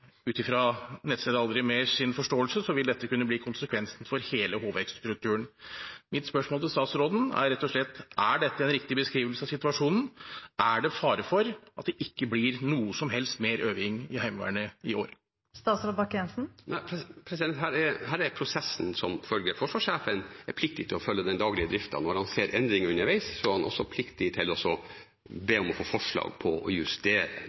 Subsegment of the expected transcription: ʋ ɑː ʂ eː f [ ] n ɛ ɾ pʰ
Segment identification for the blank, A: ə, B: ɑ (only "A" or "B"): A